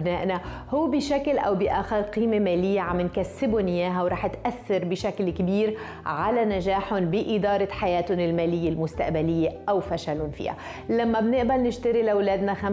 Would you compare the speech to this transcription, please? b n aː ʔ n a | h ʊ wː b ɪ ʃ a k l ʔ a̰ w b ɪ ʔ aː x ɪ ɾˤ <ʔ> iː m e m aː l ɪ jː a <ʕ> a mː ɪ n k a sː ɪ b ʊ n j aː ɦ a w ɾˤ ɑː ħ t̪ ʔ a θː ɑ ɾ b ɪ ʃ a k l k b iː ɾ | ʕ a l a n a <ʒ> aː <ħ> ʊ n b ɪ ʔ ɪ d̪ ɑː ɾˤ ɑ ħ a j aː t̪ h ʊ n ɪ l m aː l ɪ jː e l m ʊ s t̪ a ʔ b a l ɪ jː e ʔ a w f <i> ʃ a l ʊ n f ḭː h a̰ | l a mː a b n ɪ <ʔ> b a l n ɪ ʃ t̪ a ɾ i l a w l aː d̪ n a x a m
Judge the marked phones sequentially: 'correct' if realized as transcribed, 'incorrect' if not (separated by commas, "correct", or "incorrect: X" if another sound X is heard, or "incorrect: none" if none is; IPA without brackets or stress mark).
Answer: incorrect: q, correct, correct, correct, incorrect: a, correct